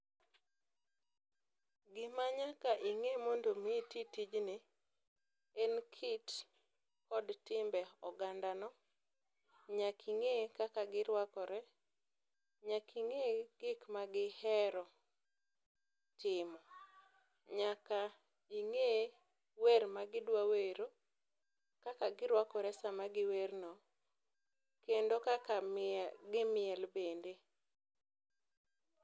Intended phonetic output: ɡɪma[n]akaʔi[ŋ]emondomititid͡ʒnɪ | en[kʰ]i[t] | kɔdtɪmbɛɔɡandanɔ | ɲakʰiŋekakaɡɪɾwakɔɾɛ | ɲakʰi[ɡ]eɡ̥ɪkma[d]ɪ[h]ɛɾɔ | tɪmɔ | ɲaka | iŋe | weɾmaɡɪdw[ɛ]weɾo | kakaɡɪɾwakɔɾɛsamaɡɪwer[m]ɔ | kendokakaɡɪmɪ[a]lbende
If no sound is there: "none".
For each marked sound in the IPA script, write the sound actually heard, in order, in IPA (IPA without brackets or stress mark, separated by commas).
ɲ, ŋ, kʰ, t, ŋ, ɡ, h, a, n, ɛ